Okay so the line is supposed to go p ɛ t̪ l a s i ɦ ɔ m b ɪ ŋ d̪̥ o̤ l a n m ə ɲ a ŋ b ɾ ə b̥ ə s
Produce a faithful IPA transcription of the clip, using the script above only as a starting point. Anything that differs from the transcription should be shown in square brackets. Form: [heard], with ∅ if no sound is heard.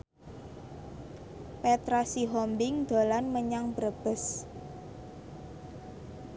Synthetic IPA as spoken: p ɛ t̪ [ɾ] a s i ɦ ɔ m b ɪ ŋ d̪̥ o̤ l a n m ə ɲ a ŋ b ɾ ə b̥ ə s